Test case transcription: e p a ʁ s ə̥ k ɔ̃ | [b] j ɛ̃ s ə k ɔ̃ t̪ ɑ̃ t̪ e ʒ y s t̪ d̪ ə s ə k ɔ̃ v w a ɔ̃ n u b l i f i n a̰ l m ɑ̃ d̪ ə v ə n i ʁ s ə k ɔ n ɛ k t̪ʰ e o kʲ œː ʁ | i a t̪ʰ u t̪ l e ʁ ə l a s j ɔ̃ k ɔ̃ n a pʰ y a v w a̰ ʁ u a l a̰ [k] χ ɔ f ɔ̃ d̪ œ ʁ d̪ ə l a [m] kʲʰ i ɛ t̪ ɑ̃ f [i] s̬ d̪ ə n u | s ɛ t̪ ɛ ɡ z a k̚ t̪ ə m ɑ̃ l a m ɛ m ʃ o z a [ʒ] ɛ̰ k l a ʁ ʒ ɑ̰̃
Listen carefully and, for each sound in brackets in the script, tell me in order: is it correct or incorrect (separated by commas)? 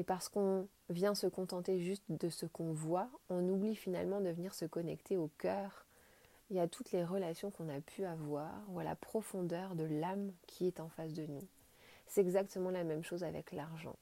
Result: incorrect, incorrect, correct, incorrect, incorrect